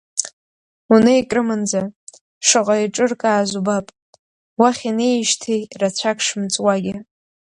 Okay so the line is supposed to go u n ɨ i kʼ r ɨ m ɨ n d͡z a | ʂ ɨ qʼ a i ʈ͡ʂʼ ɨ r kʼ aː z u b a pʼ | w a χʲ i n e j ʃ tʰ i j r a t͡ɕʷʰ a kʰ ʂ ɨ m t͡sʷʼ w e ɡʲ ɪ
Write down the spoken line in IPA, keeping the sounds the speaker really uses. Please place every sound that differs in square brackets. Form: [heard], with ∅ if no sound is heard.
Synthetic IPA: u n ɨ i kʼ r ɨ m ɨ n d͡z a | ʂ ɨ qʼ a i ʈ͡ʂʼ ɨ r kʼ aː z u b a pʼ | w a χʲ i n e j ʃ tʰ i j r a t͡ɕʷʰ a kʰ ʂ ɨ m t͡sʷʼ w [a] ɡʲ ɪ

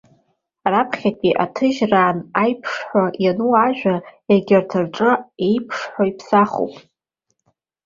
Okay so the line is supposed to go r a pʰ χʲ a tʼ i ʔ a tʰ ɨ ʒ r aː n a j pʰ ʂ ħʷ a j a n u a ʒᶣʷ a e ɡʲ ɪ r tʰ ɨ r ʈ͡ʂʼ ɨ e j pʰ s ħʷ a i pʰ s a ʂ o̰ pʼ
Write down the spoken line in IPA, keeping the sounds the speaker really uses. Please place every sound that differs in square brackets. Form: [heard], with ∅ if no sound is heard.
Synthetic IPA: r a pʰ χʲ a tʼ i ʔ a tʰ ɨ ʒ r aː n a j pʰ ʂ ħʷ a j a n u a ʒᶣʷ a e ɡʲ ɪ r tʰ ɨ r ʈ͡ʂʼ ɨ e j pʰ [ʂ] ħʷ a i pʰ s a [χ] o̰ pʼ

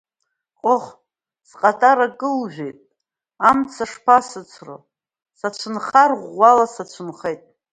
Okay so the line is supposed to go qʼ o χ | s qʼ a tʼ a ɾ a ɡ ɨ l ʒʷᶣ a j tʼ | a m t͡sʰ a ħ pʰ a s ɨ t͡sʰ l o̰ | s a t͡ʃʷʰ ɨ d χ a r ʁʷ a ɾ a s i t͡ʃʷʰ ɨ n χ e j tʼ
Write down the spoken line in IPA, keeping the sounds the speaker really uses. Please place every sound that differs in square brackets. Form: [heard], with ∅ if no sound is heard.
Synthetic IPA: qʼ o χ | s qʼ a tʼ a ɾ a ɡ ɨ l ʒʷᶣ [e] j tʼ | a m t͡sʰ a [ʂ] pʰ a s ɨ t͡sʰ [r] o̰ | s a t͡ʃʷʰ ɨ [n] χ a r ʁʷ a [l] a s [a] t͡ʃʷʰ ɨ n χ e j tʼ

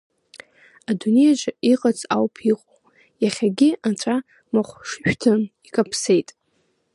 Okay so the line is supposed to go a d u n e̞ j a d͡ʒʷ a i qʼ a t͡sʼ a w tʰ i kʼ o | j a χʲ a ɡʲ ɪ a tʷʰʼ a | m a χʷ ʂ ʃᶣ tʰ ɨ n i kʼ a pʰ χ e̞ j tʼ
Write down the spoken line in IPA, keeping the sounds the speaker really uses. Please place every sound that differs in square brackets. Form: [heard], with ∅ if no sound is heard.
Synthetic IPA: a d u n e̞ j a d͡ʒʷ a i qʼ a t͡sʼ a w [pʰ] i [qʼ] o | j a χʲ a ɡʲ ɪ a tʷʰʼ a | m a χʷ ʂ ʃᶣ tʰ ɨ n i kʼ a pʰ [s] e̞ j tʼ

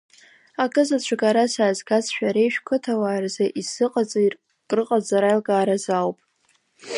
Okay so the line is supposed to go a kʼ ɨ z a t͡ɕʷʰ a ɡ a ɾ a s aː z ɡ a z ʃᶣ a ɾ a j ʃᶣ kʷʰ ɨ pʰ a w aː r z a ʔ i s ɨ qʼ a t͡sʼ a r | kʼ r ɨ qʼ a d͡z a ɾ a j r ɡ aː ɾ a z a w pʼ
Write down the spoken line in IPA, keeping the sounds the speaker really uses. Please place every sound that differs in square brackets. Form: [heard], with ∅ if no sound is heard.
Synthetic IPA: a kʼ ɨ z a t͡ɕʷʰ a ɡ a ɾ a s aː z ɡ a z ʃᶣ a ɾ [e] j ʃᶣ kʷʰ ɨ [tʰ] a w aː r z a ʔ i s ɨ qʼ a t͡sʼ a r | kʼ r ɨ qʼ a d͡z a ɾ a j [l] ɡ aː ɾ a z a w pʼ

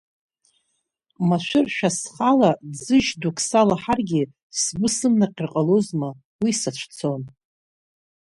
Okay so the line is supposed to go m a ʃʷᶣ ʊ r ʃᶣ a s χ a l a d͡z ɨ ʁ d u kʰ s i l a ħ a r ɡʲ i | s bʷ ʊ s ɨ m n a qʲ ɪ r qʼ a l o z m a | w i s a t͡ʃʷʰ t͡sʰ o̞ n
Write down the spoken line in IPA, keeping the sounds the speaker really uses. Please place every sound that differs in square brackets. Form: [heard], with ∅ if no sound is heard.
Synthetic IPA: m a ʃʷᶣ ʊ r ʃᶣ a s χ a l a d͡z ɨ [ʒ] d u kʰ s [a] l a ħ a r ɡʲ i | s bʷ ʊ s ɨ m n a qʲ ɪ r qʼ a l o z m a | w i s a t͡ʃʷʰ t͡sʰ o̞ n

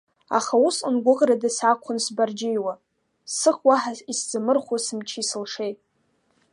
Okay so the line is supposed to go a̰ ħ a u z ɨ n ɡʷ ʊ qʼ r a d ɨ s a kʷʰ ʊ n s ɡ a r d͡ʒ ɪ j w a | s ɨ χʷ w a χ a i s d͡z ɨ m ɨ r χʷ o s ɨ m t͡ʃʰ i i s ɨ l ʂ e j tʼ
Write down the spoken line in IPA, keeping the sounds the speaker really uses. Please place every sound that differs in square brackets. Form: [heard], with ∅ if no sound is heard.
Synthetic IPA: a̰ [χ] a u [s] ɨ n ɡʷ ʊ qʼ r a d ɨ s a kʷʰ ʊ n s [b] a r d͡ʒ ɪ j w a | s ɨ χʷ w a [ħ] a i s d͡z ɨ m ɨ r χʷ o s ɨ m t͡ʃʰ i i s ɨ l ʂ e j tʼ

